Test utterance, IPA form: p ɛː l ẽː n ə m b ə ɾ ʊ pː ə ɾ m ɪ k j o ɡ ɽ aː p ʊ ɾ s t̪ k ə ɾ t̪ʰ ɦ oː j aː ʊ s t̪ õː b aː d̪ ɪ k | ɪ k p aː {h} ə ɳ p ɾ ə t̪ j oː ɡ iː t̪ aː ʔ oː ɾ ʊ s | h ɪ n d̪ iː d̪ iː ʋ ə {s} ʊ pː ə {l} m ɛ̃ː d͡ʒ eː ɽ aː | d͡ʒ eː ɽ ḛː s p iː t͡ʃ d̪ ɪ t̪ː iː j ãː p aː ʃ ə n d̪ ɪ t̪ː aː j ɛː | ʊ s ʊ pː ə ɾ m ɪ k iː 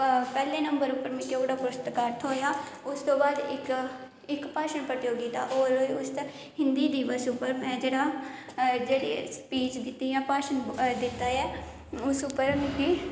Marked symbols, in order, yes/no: no, yes, no

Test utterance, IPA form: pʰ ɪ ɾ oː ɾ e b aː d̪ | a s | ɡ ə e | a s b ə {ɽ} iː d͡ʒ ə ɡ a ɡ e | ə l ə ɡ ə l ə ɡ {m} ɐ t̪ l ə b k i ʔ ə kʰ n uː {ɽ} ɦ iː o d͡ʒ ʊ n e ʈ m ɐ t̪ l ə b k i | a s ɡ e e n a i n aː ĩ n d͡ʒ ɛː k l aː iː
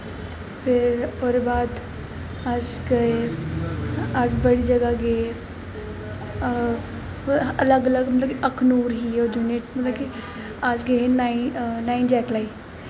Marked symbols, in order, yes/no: yes, yes, no

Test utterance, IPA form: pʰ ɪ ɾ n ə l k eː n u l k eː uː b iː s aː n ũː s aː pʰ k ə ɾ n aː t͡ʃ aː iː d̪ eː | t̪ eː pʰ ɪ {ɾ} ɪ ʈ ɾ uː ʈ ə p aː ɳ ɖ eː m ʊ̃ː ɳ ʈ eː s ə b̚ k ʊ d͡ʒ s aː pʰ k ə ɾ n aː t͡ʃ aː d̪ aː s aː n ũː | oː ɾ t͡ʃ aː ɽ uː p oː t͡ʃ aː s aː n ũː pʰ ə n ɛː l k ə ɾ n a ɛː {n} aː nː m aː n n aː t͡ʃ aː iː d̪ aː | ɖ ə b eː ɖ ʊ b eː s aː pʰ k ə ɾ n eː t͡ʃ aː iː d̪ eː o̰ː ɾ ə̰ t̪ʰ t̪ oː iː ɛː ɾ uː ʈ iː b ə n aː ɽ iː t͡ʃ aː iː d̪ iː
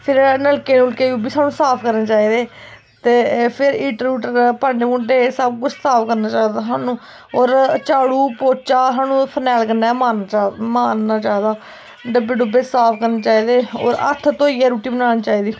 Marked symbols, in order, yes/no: yes, no

